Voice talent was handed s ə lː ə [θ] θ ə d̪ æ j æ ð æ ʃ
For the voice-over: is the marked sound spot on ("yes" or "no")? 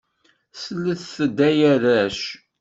yes